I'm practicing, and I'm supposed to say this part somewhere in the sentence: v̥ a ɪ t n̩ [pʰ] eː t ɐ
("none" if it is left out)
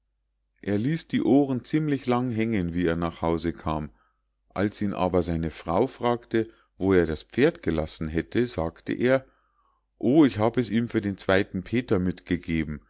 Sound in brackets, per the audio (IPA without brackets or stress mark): pʰ